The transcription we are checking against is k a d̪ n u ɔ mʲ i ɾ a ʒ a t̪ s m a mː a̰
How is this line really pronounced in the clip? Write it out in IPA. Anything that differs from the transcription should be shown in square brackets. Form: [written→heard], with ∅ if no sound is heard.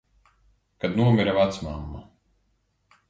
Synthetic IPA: k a d̪ n u ɔ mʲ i ɾ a [ʒ→v] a t̪ s m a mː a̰

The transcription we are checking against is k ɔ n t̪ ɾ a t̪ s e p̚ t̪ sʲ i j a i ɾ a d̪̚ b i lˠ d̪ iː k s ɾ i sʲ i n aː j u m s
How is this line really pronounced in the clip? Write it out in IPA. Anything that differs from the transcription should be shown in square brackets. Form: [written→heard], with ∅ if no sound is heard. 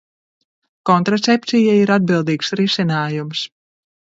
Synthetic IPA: k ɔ n t̪ ɾ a t̪ s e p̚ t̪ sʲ i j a i ɾ a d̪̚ b i lˠ d̪ iː k s ɾ i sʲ i n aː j u m s

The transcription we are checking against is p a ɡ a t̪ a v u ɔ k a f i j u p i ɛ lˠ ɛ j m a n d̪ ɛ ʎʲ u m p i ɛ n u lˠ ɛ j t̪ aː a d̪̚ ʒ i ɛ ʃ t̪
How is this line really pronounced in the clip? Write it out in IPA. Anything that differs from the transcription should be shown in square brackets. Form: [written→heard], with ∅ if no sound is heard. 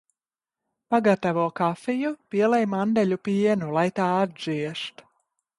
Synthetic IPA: p a ɡ a t̪ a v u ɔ k a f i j u p i ɛ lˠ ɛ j m a n d̪ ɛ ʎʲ u [m→∅] p i ɛ n u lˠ [ɛ→a] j t̪ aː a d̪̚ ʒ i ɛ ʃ t̪

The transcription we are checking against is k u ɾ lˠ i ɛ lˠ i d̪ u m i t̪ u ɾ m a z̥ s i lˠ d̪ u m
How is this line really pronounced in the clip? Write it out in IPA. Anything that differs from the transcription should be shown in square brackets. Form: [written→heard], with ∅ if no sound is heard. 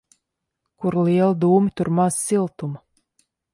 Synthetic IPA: k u ɾ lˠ i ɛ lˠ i d̪ [u→uː] m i t̪ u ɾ m a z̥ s i lˠ [d̪→t̪] u m

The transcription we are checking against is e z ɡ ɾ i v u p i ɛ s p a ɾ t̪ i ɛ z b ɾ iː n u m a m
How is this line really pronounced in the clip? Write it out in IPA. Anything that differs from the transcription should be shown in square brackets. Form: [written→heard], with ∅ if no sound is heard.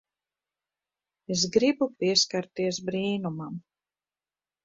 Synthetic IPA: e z ɡ ɾ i [v→b] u p i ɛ s [p→k] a ɾ t̪ i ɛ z b ɾ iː n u m a m

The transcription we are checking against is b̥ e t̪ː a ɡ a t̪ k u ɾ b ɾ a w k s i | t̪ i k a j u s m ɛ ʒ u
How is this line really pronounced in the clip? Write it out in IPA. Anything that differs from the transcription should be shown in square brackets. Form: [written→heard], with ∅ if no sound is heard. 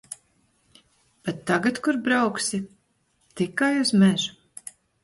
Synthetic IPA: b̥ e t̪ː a ɡ a t̪ k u ɾ b ɾ a w k s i | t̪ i k a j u [s→z] m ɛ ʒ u

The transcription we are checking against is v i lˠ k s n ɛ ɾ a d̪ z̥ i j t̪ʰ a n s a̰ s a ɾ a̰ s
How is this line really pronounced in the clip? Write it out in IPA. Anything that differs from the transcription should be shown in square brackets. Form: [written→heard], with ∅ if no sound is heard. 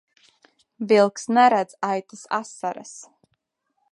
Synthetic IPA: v i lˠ k s n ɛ ɾ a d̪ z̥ [i→a] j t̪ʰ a [n→∅] s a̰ s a ɾ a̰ s

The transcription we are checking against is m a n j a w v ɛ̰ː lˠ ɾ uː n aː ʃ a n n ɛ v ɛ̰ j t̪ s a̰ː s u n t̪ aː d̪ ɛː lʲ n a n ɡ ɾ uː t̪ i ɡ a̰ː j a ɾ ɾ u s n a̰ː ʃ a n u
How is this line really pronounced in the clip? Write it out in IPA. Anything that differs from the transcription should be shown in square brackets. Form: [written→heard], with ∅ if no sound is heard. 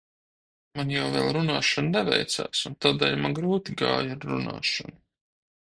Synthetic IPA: m a n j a w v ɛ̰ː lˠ ɾ [uː→u] n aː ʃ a n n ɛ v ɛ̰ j t̪ s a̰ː s u n t̪ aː d̪ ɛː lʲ [n→m] a n ɡ ɾ uː t̪ i ɡ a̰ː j a ɾ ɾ u [s→∅] n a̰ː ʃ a n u

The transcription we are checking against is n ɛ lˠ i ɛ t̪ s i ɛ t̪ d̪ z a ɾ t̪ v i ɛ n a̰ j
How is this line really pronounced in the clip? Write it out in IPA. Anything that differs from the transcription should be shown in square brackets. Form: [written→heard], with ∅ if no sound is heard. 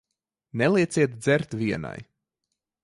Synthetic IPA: n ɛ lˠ i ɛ t̪ s i ɛ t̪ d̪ z [a→ɛ] ɾ t̪ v i ɛ n a̰ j

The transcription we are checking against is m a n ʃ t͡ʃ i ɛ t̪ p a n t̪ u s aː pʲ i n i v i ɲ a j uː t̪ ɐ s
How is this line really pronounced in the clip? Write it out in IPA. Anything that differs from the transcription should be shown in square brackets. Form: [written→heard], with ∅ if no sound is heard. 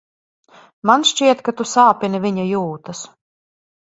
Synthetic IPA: m a n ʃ t͡ʃ i ɛ t̪ [p→k] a [n→∅] t̪ u s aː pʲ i n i v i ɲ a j uː t̪ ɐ s

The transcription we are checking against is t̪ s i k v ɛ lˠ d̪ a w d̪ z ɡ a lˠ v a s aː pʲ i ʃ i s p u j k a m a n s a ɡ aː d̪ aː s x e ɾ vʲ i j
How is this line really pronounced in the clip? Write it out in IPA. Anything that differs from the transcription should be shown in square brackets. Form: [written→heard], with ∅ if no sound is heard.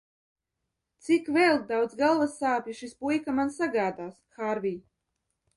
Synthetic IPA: t̪ s i k v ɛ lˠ d̪ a w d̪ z ɡ a lˠ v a s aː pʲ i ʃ i s p u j k a m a n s a ɡ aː d̪ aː s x [e→a] ɾ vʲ i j

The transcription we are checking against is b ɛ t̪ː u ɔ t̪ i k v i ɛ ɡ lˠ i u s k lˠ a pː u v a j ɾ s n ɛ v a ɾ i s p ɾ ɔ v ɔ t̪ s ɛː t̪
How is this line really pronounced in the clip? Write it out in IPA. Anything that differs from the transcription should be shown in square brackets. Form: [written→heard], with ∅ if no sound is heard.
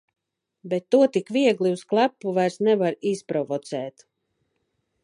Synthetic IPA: b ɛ t̪ː u ɔ t̪ i k v i ɛ ɡ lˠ i u s k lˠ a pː u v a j ɾ s n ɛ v a ɾ i s p ɾ ɔ v ɔ t̪ s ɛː t̪

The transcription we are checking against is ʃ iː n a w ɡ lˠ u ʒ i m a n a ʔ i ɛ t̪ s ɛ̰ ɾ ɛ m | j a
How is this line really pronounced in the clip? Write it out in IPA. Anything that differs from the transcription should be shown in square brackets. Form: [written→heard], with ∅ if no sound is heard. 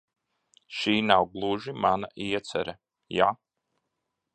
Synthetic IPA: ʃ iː n a w ɡ lˠ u ʒ i m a n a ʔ i ɛ t̪ s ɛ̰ ɾ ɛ [m→∅] | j a

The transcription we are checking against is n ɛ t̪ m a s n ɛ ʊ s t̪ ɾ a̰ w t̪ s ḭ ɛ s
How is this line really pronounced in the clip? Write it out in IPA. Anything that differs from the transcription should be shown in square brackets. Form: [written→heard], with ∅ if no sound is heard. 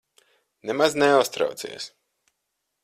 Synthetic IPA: n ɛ [t̪→∅] m a [s→z] n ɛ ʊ s t̪ ɾ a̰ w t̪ s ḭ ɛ s

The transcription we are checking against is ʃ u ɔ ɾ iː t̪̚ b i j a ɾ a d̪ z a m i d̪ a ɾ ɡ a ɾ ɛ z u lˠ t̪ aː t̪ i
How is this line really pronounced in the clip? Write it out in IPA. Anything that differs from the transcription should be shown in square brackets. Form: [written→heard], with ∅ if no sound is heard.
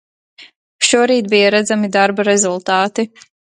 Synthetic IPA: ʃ u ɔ ɾ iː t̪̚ b i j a ɾ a d̪ z a m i d̪ a ɾ [ɡ→b] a ɾ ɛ z u lˠ t̪ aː t̪ i

